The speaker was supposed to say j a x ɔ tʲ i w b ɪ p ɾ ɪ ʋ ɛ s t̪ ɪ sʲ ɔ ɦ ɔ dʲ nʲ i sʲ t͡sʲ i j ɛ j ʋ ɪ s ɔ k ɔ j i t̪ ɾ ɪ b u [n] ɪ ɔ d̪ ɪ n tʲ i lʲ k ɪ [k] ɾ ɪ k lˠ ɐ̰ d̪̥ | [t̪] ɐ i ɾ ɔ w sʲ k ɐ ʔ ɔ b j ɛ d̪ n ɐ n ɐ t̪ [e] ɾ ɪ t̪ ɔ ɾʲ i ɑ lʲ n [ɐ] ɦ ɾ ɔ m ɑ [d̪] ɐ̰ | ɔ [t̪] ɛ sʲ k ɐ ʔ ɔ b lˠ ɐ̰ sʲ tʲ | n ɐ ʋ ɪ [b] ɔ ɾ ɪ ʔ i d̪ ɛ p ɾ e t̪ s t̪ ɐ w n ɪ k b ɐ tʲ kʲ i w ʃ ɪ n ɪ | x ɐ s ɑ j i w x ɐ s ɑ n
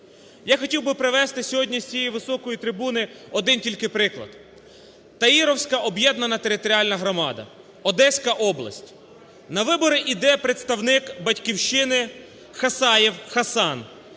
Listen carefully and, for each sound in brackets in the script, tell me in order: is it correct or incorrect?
correct, incorrect: p, correct, correct, correct, correct, incorrect: d̪, correct

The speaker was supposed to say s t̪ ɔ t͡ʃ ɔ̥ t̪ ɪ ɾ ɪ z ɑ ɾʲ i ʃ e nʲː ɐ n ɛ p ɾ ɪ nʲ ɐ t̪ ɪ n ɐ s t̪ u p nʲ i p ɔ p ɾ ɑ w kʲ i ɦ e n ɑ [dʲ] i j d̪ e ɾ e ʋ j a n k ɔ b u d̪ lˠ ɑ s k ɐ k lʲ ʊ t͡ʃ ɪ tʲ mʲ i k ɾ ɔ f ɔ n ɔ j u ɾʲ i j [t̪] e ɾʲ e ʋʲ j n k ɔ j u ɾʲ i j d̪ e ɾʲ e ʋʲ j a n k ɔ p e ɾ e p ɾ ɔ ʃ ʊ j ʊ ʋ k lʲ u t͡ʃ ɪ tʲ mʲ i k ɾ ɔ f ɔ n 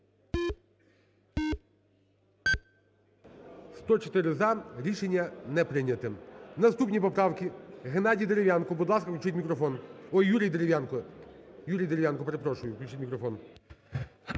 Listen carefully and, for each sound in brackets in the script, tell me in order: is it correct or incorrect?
correct, incorrect: d̪

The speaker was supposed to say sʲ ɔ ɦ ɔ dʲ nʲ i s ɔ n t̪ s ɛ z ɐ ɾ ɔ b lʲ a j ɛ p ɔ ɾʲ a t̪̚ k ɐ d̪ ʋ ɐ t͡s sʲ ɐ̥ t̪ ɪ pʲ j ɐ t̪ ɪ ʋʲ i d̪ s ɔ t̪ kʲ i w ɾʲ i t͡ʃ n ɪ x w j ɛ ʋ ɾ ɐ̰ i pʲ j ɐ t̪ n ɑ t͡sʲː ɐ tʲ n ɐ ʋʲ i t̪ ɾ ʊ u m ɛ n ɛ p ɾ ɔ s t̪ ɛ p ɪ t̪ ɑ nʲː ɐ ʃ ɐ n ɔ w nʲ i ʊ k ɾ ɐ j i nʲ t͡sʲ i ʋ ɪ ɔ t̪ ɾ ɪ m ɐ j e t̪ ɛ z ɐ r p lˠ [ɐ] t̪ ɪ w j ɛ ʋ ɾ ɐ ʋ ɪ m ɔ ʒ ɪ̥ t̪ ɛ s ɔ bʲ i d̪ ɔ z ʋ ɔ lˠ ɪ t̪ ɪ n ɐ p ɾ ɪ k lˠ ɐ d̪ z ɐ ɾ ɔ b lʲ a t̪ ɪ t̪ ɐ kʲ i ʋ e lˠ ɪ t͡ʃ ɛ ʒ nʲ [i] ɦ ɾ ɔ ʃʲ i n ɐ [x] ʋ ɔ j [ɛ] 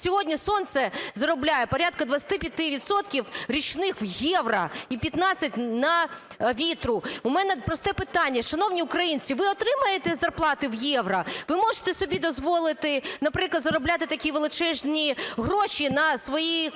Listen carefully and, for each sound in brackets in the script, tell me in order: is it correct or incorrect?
incorrect: ɑ, correct, incorrect: s, incorrect: i

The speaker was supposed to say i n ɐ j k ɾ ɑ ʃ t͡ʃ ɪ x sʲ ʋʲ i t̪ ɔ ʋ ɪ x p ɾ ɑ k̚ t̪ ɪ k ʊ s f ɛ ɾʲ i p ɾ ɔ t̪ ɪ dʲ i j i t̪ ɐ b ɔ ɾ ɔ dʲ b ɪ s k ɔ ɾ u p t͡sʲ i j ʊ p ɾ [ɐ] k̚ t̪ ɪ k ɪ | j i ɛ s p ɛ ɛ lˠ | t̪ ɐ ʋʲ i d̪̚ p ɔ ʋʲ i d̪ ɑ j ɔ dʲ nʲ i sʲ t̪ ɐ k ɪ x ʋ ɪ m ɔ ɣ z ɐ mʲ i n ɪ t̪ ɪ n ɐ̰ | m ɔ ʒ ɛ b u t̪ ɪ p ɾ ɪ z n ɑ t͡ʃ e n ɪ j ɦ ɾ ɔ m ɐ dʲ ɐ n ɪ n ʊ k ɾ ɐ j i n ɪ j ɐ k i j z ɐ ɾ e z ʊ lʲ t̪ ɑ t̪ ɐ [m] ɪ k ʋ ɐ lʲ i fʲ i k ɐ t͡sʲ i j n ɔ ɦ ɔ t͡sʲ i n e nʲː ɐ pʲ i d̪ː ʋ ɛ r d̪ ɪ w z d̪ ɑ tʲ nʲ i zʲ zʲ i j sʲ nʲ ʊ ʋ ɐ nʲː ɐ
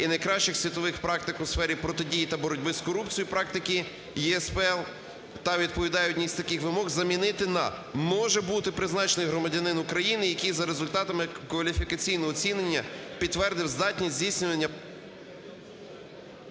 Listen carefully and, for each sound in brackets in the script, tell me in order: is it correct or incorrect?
incorrect: ɑ, correct

